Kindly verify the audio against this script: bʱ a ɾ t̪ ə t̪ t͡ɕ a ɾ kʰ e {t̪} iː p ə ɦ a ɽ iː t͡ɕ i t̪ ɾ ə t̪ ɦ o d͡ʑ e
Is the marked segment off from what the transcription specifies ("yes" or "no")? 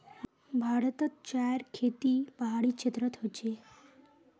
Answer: no